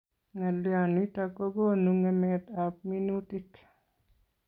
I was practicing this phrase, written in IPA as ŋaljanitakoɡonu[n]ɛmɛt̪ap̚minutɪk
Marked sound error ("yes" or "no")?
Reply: yes